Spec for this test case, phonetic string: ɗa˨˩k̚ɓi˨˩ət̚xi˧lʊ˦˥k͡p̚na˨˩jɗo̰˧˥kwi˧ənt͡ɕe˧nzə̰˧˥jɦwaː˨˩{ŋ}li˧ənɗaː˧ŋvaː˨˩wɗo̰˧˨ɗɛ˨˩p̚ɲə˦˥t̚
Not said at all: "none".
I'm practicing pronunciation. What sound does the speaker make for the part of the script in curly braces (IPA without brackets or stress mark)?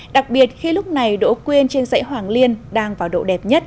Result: ŋ